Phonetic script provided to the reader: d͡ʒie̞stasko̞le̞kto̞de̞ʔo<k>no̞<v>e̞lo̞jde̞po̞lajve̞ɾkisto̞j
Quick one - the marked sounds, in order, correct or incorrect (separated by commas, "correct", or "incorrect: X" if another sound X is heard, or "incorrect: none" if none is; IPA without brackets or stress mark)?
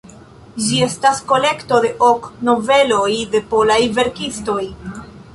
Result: correct, correct